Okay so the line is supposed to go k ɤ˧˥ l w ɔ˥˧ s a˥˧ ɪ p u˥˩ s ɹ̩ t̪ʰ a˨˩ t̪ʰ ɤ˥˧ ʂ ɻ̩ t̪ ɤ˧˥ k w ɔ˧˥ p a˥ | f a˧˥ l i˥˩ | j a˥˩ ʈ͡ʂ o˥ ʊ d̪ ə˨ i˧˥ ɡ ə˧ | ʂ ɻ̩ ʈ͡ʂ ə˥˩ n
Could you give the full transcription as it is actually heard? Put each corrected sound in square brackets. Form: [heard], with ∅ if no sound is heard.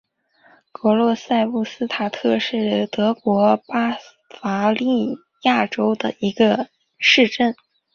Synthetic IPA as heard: k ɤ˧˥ l w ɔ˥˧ s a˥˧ ɪ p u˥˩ s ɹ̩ t̪ʰ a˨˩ t̪ʰ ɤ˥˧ ʂ ɻ̩ t̪ ɤ˧˥ k w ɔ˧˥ p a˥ | f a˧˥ l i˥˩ | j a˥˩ ʈ͡ʂ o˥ ʊ d̪ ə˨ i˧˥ ɡ ə˧ | ʂ ɻ̩ ʈ͡ʂ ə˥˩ n